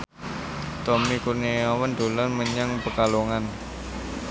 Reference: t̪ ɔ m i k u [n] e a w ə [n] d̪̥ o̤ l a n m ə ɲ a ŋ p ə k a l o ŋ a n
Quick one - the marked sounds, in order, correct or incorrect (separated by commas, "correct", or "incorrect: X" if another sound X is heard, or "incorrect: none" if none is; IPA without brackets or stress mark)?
correct, correct